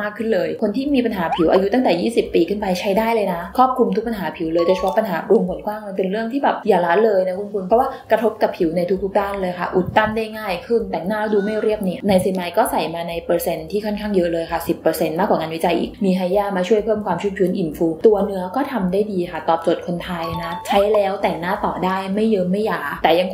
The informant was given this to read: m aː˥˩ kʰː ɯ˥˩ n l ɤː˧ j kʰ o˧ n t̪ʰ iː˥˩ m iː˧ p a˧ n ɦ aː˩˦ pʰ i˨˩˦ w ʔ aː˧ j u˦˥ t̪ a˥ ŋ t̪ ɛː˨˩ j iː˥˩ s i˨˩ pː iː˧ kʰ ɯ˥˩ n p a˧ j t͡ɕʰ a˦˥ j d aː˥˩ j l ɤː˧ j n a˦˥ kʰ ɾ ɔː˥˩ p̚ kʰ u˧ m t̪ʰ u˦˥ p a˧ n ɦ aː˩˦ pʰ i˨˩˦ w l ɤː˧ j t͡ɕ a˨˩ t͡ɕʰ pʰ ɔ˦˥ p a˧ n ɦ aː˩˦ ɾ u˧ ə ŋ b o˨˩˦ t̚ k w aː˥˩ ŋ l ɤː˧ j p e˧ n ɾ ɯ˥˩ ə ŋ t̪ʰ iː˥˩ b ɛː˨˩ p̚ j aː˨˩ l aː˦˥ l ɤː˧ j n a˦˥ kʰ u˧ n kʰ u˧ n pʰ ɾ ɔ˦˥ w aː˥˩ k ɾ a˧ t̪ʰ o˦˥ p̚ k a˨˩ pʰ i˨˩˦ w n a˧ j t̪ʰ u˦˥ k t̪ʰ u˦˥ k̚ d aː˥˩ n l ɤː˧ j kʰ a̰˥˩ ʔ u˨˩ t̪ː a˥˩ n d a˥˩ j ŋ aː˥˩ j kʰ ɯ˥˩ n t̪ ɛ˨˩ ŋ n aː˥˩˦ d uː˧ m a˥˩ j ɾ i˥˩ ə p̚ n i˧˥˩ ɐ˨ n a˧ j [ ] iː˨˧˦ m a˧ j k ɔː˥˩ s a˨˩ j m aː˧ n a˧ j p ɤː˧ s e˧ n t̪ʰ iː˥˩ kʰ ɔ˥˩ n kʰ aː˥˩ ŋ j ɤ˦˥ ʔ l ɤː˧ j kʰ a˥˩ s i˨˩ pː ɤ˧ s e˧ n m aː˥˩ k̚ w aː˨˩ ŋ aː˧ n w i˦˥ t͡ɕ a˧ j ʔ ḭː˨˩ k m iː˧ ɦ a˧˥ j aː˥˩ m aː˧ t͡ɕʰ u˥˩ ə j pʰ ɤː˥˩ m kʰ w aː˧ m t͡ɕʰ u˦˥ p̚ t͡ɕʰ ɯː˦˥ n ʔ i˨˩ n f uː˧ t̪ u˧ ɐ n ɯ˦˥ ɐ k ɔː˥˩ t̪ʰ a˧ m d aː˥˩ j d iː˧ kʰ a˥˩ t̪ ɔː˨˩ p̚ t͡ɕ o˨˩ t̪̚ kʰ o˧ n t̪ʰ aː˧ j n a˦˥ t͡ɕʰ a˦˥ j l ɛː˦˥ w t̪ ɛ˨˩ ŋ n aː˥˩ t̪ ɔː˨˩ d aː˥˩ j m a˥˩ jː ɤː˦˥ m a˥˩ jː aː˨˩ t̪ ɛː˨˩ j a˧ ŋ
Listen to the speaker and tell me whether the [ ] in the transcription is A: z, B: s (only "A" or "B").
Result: B